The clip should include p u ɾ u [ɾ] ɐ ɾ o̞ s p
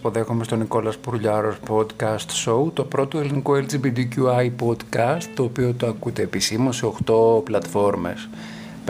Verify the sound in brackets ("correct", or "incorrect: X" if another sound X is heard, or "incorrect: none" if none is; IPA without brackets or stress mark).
incorrect: ʎ